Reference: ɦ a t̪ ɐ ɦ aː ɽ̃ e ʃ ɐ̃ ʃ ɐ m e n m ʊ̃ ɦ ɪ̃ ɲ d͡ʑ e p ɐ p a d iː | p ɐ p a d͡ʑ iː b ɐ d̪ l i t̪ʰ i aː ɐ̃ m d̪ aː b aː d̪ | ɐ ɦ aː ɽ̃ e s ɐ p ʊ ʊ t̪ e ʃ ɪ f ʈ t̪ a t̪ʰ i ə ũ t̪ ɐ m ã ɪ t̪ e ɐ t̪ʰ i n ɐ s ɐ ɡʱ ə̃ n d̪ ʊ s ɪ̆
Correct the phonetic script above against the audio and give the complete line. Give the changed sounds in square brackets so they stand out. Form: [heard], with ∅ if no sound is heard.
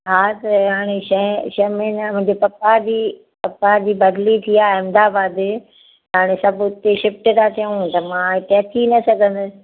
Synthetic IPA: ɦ a t̪ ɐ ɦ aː ɽ̃ e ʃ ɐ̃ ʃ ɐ m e n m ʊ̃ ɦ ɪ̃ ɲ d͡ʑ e p ɐ p a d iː | p ɐ p a d͡ʑ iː b ɐ d̪ l i t̪ʰ i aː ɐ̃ m d̪ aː b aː d̪ | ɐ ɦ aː ɽ̃ e s ɐ [b] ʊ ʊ t̪ e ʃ ɪ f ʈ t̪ a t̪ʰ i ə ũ t̪ ɐ m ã ɪ t̪ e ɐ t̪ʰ i n ɐ s ɐ ɡʱ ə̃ n d̪ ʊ s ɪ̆

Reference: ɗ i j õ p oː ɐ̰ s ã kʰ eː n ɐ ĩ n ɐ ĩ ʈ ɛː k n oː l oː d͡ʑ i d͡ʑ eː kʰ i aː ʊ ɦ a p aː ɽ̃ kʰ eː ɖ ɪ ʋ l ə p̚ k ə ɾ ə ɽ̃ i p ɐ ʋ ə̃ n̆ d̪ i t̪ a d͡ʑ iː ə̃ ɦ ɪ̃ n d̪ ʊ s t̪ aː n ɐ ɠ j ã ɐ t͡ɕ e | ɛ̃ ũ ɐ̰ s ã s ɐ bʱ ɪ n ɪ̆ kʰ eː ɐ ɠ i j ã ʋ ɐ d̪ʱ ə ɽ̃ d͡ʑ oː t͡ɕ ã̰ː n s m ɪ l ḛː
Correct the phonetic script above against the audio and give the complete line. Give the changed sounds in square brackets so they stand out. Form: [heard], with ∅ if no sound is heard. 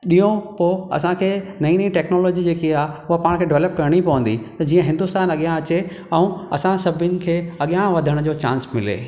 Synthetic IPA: ɗ i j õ p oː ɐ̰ s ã kʰ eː n ɐ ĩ n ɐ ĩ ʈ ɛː k n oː l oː d͡ʑ i d͡ʑ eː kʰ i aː ʊ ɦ a p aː ɽ̃ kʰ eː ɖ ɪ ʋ l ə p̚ k [ɐ] ɾ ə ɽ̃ i p ɐ ʋ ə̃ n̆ d̪ i t̪ [ɐ] d͡ʑ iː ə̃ ɦ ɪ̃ n d̪ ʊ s t̪ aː n ɐ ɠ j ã ɐ t͡ɕ e | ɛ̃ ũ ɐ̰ s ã s ɐ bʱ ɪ n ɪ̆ kʰ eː ɐ ɠ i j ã ʋ ɐ d̪ʱ ə ɽ̃ d͡ʑ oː t͡ɕ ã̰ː n s m ɪ l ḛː

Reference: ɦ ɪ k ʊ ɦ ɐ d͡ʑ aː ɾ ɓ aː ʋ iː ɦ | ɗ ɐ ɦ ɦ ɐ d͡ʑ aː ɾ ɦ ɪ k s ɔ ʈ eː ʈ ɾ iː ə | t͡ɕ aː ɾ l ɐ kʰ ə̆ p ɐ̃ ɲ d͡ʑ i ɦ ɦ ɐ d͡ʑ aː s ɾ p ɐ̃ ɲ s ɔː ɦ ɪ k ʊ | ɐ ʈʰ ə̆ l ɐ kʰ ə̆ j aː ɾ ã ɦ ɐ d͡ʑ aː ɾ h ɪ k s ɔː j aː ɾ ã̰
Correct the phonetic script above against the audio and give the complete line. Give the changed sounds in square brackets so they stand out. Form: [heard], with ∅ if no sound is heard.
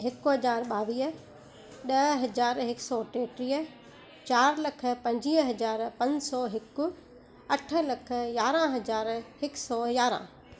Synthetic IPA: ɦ ɪ k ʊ ɦ ɐ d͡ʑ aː ɾ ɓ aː ʋ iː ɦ | ɗ ɐ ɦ ɦ ɐ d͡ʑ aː ɾ ɦ ɪ k s ɔ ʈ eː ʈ ɾ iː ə | t͡ɕ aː ɾ l ɐ kʰ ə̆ p ɐ̃ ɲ d͡ʑ i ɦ ɦ ɐ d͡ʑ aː [∅] ɾ p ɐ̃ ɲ s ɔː ɦ ɪ k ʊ | ɐ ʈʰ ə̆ l ɐ kʰ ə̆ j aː ɾ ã ɦ ɐ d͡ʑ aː ɾ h ɪ k s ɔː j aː ɾ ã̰

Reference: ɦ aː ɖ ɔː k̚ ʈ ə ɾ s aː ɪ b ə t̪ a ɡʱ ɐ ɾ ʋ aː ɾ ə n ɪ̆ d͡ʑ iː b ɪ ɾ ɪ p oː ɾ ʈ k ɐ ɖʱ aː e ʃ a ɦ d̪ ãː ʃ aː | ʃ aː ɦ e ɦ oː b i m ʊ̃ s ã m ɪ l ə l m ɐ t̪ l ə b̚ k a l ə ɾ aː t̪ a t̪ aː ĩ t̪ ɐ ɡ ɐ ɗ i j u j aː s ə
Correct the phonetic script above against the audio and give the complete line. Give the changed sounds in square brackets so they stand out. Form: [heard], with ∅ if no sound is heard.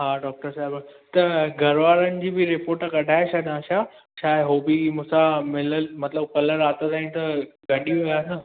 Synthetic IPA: ɦ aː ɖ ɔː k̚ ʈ ə ɾ s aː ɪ b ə t̪ [ɐ] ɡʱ ɐ ɾ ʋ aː ɾ ə n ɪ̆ d͡ʑ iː b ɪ ɾ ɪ p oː ɾ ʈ k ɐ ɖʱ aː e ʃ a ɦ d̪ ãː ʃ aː | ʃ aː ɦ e ɦ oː b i m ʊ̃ s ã m ɪ l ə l m ɐ t̪ l ə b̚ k [ɐ] l ə ɾ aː t̪ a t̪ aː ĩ t̪ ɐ ɡ ɐ ɗ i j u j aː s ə

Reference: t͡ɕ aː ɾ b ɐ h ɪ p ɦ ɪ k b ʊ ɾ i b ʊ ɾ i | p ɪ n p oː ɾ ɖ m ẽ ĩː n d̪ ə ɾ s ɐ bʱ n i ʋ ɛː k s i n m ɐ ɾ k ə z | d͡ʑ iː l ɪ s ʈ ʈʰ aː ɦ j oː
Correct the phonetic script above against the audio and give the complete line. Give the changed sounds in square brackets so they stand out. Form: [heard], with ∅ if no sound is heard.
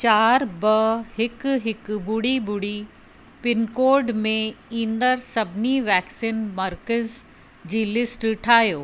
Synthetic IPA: t͡ɕ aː ɾ b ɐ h ɪ [k] ɦ ɪ k b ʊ [ɽ] i b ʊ [ɽ] i | p ɪ n [k] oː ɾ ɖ m ẽ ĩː n d̪ ə ɾ s ɐ bʱ n i ʋ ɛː k s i n m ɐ ɾ k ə z | d͡ʑ iː l ɪ s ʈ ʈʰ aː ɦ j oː

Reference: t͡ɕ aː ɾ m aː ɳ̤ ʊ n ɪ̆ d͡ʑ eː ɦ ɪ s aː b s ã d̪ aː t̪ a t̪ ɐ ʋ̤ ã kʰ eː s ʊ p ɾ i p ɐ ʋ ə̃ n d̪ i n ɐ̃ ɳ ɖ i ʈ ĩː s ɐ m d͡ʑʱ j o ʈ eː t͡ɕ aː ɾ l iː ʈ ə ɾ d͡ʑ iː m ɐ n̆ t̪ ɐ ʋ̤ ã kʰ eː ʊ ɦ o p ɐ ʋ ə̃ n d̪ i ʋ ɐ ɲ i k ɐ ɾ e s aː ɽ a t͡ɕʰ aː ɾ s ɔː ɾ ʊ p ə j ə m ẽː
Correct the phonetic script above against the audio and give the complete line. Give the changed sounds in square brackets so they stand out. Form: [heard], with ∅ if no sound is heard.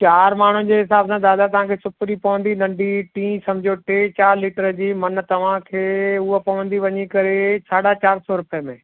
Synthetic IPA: t͡ɕ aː ɾ m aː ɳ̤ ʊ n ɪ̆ d͡ʑ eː ɦ ɪ s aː b s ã d̪ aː [d̪] a t̪ ɐ ʋ̤ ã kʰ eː s ʊ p ɾ i p ɐ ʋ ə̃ n d̪ i n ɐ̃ ɳ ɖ i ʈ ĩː s ɐ m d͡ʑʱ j o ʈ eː t͡ɕ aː ɾ l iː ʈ ə ɾ d͡ʑ iː m ɐ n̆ t̪ ɐ ʋ̤ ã kʰ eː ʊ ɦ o p ɐ ʋ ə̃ n d̪ i ʋ ɐ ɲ i k ɐ ɾ e s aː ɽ a [t͡ɕ] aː ɾ s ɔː ɾ ʊ p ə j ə m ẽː

